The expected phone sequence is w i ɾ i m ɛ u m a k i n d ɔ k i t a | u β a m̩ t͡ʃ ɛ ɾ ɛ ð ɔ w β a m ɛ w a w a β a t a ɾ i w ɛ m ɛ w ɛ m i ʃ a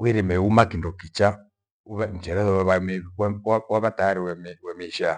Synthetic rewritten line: w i ɾ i m ɛ u m a k i n d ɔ k i t͡ʃ a | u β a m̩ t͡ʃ ɛ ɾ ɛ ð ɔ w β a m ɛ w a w a β a t a ɾ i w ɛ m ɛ w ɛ m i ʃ a